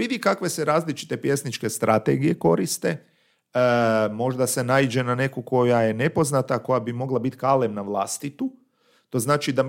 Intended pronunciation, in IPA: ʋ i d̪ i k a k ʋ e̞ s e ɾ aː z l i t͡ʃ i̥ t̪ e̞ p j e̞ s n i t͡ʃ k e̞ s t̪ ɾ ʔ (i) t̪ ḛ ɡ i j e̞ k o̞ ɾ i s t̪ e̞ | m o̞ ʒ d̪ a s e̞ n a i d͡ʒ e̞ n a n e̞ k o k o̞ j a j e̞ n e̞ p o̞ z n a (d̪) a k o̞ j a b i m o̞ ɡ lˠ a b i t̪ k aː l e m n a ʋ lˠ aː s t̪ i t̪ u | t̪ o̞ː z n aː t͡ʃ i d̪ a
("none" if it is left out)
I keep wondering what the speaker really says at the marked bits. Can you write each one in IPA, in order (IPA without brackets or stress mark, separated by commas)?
a, t̪